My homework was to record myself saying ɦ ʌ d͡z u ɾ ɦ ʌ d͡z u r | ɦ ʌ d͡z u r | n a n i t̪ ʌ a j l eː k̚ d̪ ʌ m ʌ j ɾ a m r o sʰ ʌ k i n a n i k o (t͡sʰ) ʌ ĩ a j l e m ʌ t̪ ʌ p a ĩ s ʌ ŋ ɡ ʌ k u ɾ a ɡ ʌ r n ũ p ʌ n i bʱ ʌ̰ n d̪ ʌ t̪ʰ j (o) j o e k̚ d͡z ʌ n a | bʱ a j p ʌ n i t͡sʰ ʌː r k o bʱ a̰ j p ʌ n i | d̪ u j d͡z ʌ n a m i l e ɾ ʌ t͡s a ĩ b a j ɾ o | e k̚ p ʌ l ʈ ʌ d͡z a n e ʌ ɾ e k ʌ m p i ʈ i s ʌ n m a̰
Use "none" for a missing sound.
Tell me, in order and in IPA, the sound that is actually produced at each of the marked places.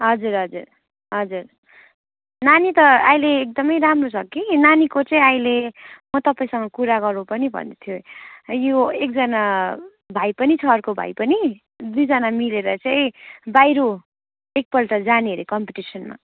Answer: t͡s, o

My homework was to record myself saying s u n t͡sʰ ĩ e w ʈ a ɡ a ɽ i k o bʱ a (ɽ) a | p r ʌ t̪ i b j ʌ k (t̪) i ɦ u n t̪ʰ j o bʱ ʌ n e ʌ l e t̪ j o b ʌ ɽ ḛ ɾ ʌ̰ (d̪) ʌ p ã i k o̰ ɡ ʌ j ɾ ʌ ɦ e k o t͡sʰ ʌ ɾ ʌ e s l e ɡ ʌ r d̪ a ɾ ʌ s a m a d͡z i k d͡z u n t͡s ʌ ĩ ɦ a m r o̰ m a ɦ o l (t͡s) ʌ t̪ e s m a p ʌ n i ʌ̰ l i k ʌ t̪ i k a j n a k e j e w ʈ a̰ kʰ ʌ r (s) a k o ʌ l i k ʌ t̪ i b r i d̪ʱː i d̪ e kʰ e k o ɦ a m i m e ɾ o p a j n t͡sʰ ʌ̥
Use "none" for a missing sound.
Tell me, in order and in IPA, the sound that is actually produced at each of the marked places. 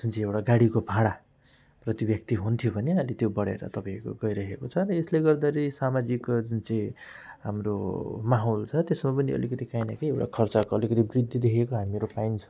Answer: ɽ, t̪, t̪, t͡sʰ, t͡s

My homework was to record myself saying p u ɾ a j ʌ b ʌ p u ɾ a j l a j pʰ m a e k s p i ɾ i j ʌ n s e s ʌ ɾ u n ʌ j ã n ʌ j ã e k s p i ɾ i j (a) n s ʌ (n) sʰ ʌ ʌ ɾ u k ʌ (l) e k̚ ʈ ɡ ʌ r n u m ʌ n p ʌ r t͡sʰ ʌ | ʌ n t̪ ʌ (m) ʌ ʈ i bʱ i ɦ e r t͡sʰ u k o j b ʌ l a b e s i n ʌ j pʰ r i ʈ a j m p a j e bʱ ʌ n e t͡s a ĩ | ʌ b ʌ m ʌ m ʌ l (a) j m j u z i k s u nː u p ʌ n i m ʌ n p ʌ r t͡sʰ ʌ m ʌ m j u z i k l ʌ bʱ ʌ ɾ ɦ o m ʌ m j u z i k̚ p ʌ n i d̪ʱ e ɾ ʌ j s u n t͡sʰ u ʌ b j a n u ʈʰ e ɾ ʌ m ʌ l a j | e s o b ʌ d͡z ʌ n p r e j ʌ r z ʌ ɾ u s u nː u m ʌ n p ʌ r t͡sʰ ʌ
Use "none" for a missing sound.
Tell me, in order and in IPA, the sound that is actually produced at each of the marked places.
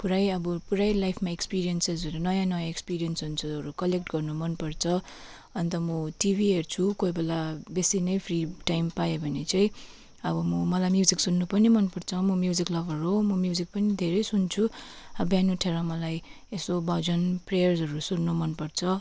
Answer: ʌ, n, l, m, a

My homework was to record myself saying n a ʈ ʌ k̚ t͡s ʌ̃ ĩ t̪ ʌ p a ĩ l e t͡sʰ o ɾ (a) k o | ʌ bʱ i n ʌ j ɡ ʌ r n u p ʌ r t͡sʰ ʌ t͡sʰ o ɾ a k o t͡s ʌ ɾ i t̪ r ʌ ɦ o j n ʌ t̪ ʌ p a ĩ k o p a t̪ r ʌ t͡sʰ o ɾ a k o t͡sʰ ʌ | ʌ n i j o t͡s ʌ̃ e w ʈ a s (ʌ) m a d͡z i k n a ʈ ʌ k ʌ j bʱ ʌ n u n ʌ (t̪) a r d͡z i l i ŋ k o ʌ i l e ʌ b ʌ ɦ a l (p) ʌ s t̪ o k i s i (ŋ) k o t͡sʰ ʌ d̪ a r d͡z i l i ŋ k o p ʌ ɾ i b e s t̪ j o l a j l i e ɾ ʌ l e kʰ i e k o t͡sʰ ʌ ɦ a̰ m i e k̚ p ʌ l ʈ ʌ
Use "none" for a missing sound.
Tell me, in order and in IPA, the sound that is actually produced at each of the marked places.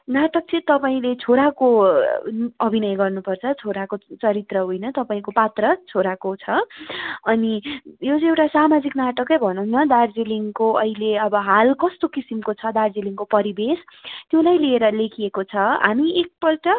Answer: a, a, d̪, k, m

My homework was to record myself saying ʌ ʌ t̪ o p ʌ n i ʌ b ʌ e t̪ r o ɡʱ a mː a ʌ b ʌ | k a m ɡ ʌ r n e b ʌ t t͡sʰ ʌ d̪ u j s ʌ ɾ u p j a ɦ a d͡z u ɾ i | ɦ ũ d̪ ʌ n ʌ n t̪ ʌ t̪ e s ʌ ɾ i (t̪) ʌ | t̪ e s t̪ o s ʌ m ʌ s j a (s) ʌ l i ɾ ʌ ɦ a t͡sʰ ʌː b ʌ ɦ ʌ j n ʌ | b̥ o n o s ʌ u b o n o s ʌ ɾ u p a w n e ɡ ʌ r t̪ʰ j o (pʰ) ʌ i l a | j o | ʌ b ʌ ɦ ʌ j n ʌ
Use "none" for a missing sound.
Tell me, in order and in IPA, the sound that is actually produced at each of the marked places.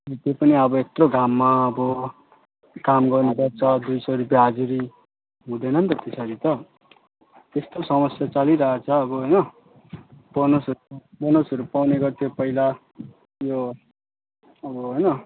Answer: t̪, t͡s, p

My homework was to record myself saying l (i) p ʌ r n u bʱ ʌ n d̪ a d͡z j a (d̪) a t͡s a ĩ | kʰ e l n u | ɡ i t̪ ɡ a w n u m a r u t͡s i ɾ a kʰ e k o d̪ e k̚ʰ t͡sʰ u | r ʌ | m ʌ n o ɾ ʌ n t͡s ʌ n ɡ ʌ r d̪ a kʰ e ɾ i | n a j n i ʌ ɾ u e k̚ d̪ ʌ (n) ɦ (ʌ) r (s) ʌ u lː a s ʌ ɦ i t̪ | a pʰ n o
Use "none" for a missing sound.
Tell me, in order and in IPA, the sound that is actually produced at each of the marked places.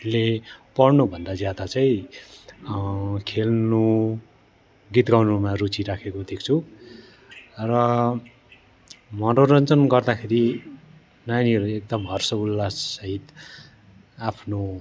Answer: e, d̪, m, ʌ, s

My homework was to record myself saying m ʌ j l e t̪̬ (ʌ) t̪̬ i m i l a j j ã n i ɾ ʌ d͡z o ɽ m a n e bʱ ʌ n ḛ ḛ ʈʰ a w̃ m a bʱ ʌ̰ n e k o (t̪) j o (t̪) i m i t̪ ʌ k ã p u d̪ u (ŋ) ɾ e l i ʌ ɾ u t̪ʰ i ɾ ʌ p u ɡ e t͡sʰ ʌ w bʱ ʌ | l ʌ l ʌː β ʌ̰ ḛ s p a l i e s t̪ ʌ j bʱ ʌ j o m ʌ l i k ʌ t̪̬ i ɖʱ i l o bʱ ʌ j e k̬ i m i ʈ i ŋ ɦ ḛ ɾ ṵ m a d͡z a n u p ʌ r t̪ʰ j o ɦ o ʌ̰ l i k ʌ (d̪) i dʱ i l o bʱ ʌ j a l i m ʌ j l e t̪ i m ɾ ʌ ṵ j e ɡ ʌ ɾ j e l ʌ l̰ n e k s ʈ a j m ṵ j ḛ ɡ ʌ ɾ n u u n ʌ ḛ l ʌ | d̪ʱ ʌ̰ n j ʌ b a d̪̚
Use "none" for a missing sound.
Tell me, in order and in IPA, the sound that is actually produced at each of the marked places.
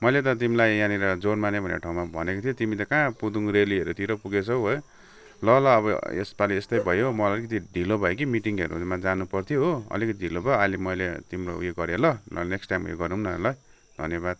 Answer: ʌ, t̪ʰ, t̪, ŋ, t̪

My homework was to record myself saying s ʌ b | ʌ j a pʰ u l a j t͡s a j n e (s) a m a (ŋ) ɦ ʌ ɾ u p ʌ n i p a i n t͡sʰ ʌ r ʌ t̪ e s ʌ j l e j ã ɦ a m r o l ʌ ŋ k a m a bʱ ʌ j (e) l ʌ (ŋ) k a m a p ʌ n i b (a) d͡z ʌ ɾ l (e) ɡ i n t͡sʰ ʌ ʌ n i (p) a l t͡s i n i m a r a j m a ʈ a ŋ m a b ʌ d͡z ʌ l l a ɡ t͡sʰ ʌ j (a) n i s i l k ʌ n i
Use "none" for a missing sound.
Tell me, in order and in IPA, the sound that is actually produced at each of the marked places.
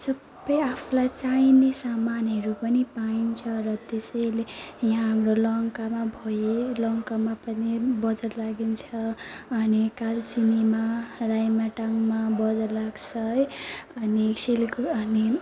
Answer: s, n, e, ŋ, ʌ, a, k, ʌ

